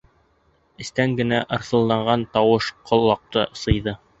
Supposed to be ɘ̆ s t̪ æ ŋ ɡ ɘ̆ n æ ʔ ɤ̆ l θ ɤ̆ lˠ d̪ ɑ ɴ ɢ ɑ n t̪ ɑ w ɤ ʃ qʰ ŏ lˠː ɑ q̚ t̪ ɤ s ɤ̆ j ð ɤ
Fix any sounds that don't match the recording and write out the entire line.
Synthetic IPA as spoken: ɘ̆ s t̪ æ ŋ ɡ ɘ̆ n æ ʔ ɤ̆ ɾ θ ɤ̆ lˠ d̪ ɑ ɴ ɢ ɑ n t̪ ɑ w ɤ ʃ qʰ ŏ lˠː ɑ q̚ t̪ ɤ s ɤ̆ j ð ɤ

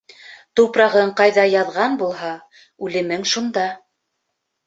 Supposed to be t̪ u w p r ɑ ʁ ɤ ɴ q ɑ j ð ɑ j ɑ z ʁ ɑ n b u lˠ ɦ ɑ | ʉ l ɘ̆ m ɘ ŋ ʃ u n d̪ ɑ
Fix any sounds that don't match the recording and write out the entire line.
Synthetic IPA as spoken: t̪ u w p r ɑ ʁ ɤ ɴ q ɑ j ð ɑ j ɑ ð ʁ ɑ n b u lˠ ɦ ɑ | ʉ l ɘ̆ m ɘ ŋ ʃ u n d̪ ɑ

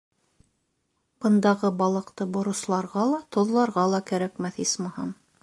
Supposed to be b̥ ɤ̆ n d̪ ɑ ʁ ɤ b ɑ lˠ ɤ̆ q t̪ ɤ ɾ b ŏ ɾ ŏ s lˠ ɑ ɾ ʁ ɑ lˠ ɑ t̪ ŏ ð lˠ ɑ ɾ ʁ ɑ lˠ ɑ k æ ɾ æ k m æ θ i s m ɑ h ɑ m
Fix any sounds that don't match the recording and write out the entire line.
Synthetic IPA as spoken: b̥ ɤ̆ n d̪ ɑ ʁ ɤ b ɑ lˠ ɤ̆ q t̪ ɤ b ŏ ɾ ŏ s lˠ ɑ ɾ ʁ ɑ lˠ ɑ t̪ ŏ ð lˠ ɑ ɾ ʁ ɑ lˠ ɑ k æ ɾ æ k m æ θ i s m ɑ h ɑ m

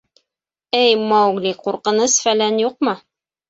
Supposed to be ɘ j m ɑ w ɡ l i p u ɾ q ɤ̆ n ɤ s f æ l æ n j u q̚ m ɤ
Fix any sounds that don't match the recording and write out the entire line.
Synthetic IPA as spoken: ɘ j m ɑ w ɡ l i q u ɾ q ɤ̆ n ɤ s f æ l æ n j u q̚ m ɤ

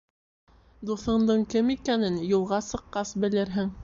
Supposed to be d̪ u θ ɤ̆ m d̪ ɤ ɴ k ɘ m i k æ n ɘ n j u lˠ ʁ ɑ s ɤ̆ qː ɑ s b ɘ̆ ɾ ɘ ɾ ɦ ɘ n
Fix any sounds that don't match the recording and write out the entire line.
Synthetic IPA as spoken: d̪ u θ ɤ̆ ɴ d̪ ɤ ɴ k ɘ m i k æ n ɘ n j u lˠ ʁ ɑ s ɤ̆ qː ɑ s b ɘ̆ l ɘ ɾ ɦ ɘ ŋ

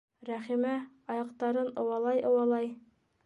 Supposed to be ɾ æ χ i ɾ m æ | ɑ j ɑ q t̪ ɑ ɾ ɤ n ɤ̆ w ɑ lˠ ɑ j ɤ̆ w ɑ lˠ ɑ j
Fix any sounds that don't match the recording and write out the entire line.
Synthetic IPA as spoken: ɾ æ χ i m æ | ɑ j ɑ q t̪ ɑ ɾ ɤ n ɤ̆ w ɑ lˠ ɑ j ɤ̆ w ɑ lˠ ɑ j

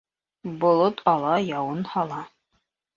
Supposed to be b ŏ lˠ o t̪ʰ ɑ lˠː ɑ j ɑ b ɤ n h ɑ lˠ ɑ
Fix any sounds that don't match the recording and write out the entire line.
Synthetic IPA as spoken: b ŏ lˠ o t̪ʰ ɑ lˠ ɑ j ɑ w ɤ n h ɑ lˠ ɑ

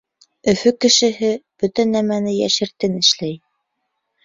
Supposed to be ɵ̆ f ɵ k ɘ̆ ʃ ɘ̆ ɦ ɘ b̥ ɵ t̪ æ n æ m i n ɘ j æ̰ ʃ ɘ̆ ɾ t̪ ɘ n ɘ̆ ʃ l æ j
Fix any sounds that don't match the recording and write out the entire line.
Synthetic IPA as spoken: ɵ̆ f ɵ k ɘ̆ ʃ ɘ̆ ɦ ɘ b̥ ɵ t̪ æ n æ m æ n ɘ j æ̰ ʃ ɘ̆ ɾ t̪ ɘ n ɘ̆ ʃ l æ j

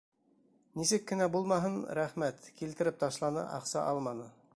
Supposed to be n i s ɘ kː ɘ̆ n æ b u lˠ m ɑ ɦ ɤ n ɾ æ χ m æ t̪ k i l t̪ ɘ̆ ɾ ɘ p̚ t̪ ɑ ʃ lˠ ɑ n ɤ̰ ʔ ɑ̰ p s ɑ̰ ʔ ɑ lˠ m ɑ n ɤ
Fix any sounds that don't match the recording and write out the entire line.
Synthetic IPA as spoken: n i s ɘ kː ɘ̆ n æ b u lˠ m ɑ ɦ ɤ n ɾ æ χ m æ t̪ k i l t̪ ɘ̆ ɾ ɘ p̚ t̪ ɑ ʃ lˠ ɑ n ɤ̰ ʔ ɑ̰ q s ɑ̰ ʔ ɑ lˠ m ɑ n ɤ

